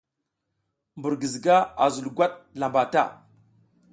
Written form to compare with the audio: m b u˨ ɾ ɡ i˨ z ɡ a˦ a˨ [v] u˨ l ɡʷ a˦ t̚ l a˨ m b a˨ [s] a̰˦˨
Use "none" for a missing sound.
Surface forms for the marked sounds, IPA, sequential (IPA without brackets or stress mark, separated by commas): z, t